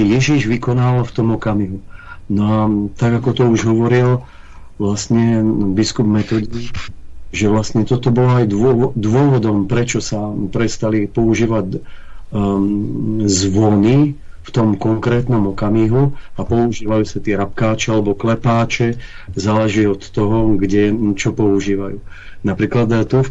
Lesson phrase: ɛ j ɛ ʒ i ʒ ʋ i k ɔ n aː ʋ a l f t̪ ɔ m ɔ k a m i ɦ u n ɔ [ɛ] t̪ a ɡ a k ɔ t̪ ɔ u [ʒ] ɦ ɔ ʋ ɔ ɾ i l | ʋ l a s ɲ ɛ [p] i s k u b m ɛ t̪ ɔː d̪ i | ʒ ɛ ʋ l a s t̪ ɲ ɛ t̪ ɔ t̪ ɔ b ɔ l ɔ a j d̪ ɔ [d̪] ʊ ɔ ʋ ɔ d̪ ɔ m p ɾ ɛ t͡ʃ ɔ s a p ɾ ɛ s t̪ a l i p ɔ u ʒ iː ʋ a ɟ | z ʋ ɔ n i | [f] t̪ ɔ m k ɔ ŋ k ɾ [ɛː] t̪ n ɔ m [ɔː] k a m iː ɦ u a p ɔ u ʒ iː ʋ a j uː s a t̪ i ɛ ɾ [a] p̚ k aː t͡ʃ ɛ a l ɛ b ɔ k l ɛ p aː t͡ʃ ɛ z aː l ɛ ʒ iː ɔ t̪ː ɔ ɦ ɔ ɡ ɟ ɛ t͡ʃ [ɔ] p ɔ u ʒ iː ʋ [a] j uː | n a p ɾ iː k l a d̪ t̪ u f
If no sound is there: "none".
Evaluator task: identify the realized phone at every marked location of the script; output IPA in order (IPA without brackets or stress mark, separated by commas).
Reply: a, ʒ, b, d̪, f, ɛː, ɔ, a, ɔ, a